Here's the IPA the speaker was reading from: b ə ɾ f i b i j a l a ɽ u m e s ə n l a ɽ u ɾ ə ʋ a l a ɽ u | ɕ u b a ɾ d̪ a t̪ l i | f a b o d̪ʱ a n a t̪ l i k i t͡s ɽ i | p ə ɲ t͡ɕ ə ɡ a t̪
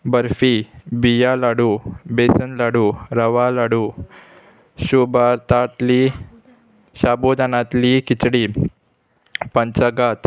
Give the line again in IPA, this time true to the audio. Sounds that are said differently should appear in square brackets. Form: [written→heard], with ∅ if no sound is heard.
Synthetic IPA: b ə ɾ f i b i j a l a ɽ u [m→b] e s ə n l a ɽ u ɾ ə ʋ a l a ɽ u | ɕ u b a ɾ [d̪→t̪] a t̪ l i | [f→ɕ] a b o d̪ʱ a n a t̪ l i k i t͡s ɽ i | p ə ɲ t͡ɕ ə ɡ a t̪